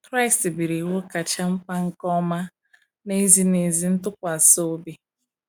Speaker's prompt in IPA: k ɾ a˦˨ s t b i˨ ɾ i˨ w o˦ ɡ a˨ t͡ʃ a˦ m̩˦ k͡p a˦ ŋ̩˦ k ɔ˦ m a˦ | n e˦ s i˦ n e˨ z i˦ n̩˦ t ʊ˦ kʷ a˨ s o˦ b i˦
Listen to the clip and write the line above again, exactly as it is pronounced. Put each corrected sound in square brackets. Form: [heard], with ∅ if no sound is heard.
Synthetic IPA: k ɾ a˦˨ s t b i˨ ɾ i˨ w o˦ [k] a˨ t͡ʃ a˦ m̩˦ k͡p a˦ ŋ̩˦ k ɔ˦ m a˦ | n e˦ [z] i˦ n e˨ z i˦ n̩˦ t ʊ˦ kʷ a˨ s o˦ b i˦